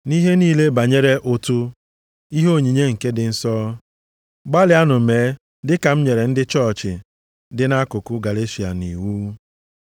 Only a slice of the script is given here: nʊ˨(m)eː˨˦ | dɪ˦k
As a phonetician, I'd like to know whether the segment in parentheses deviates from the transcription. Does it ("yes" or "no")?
no